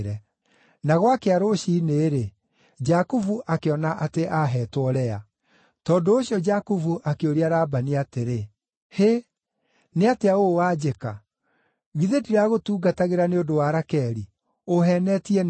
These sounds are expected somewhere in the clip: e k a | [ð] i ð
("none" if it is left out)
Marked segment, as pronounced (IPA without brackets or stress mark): ɣ